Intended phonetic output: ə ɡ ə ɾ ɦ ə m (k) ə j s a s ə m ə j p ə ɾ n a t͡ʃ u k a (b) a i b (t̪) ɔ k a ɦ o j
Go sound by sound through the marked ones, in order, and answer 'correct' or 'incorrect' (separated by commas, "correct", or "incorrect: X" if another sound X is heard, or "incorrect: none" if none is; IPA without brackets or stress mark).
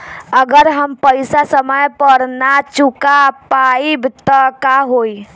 incorrect: p, incorrect: p, correct